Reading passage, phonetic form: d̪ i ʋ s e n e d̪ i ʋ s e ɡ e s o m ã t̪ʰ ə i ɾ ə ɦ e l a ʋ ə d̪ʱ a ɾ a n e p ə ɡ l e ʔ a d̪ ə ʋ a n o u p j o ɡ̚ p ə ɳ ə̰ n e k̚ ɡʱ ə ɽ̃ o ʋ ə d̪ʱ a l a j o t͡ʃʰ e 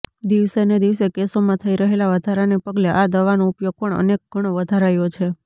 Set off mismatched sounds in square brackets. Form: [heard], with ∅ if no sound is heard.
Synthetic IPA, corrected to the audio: d̪ i ʋ s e n e d̪ i ʋ s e [k] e s o m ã t̪ʰ ə i ɾ ə ɦ e l a ʋ ə d̪ʱ a ɾ a n e p ə ɡ l e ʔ a d̪ ə ʋ a n o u p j o ɡ̚ p ə ɳ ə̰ n e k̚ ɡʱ ə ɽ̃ o ʋ ə d̪ʱ a [ɾ] a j o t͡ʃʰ e